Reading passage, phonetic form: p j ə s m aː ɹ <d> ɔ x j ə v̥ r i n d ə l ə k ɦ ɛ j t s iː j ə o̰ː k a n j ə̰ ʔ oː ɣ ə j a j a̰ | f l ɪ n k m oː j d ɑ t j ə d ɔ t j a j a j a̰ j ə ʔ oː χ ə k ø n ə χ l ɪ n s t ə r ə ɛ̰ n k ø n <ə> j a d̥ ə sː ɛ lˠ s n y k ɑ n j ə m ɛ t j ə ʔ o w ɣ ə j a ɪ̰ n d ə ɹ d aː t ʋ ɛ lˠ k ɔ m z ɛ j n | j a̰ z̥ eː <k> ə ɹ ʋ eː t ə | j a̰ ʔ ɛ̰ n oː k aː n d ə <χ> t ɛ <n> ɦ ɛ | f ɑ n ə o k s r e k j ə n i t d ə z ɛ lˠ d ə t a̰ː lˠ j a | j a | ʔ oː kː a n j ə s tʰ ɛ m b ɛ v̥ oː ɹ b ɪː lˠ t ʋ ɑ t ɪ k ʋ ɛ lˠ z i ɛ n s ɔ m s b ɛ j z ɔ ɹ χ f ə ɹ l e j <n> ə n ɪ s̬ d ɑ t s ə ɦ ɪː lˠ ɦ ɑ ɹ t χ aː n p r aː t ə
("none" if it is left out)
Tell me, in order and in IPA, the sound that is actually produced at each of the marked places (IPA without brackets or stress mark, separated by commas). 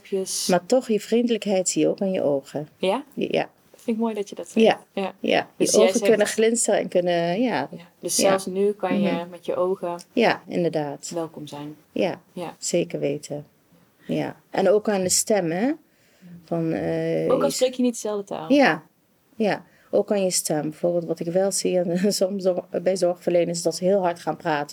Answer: t, ə, k, s, m, n